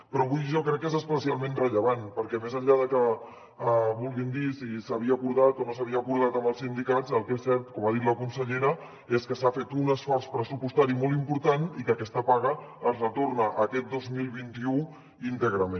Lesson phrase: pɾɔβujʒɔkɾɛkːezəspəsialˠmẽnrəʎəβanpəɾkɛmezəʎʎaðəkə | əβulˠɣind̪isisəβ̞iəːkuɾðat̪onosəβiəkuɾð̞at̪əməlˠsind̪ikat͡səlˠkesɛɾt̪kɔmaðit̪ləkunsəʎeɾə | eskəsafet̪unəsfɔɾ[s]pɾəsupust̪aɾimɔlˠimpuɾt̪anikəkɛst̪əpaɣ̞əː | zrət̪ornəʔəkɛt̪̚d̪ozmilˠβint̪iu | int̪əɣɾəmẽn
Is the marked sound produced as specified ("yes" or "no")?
yes